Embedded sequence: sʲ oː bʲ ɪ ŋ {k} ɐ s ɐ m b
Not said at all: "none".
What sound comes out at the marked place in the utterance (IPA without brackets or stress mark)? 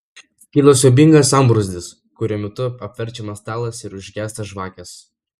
ɡ